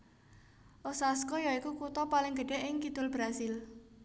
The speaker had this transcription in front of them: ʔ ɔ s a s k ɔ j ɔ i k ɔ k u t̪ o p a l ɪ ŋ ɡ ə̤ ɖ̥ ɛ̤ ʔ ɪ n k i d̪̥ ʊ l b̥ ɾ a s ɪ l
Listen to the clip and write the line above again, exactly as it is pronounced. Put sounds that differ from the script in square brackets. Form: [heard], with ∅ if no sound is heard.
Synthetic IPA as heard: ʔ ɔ s a s k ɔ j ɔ i k [u] k u t̪ [ɔ] p a l ɪ ŋ ɡ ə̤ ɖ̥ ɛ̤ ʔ ɪ [ŋ] k i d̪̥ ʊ l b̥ ɾ a s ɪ l

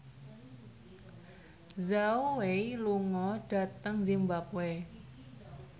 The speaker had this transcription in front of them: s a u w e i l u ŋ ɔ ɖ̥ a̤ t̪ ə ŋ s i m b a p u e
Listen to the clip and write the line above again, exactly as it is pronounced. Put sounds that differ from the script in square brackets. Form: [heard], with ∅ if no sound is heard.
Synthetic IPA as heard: [z] a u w e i l u ŋ ɔ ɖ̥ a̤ t̪ ə ŋ [z] i m b a p [w] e

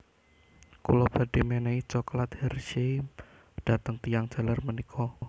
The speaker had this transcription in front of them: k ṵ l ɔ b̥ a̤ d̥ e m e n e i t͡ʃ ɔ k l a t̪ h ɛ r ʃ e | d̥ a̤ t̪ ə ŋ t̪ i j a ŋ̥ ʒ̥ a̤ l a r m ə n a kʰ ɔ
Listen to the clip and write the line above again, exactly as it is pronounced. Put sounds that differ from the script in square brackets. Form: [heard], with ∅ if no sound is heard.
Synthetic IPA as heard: k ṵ l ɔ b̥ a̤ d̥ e m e n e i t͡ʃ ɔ k l a t̪ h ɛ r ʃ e | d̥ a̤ t̪ ə ŋ t̪ i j a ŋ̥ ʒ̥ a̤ l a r m ə n [i] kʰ ɔ

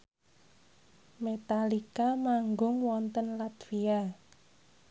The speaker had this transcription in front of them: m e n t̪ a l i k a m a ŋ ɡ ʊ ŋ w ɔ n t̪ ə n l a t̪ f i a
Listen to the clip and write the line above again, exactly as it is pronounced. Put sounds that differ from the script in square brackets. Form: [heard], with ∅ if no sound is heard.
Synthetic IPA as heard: m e [∅] t̪ a l i k a m a ŋ ɡ ʊ ŋ w ɔ n t̪ ə n l a t̪ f i a

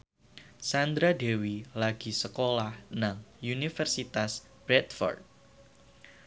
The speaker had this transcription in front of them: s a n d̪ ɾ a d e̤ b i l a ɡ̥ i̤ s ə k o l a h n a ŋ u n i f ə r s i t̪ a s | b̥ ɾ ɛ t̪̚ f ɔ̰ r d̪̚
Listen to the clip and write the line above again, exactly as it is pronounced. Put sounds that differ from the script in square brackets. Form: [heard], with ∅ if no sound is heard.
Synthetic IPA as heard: s a n d̪ ɾ a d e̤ [w] i l a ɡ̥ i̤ s ə k o l a h n a ŋ u n i f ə r s i t̪ a s | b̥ ɾ ɛ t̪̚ f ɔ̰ r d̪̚

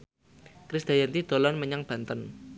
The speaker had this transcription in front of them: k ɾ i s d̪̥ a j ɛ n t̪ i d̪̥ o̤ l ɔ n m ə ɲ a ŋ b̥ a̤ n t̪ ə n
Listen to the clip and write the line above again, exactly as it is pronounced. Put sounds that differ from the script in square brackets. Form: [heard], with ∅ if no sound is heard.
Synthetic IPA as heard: k ɾ i s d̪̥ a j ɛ n t̪ i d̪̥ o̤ l ɔ n m ə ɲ a ŋ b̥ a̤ n t̪ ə n

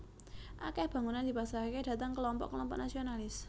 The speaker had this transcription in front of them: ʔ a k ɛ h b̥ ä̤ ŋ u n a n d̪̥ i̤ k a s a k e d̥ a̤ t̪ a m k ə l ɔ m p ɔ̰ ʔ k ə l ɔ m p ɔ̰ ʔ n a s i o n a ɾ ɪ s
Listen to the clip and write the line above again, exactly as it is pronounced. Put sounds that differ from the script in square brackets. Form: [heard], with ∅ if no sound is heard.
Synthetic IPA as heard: ʔ a k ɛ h b̥ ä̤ ŋ u n a n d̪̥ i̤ [p] a s a k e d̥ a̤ t̪ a [ŋ] k ə l ɔ m p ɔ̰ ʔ k ə l ɔ m p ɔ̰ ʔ n a s i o n a [l] ɪ s

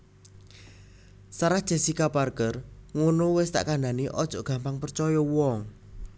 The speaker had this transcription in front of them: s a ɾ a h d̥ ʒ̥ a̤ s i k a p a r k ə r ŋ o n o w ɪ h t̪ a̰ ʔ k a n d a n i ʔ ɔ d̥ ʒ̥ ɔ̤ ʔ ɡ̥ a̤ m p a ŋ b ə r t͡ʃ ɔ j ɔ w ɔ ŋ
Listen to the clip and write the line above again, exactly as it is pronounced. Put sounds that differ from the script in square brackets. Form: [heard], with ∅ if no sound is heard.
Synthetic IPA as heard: s a ɾ a h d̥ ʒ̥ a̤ s i k a p a r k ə r ŋ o n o w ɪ [s] t̪ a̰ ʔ k a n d a n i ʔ ɔ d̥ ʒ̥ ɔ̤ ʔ ɡ̥ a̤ m p a ŋ [p] ə r t͡ʃ ɔ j ɔ w ɔ ŋ

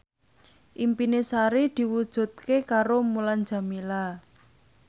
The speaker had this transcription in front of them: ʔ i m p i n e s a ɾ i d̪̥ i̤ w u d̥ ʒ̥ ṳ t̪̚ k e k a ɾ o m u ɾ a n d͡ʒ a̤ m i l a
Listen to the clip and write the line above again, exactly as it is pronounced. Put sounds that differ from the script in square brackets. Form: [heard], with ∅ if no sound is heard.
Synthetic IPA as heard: ʔ i m p i n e s a ɾ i d̪̥ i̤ w u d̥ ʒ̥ ṳ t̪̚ k e k a ɾ o m u [l] a n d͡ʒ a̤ m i l a

